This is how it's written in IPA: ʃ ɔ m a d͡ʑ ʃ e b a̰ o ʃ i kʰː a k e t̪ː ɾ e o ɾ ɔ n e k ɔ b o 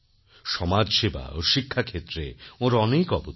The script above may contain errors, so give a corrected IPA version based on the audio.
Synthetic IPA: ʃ ɔ m a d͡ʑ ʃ e b a̰ o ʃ i kʰː a kʰ e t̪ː ɾ e o ɾ ɔ n e k ɔ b o